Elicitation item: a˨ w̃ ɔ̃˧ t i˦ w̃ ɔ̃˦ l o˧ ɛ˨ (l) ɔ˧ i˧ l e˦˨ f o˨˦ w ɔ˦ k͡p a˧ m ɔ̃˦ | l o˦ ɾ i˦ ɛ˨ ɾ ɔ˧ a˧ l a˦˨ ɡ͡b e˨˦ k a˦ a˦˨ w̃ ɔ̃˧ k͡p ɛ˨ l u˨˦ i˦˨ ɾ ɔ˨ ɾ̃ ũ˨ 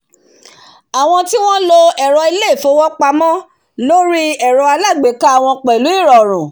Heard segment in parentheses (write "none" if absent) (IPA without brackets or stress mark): ɾ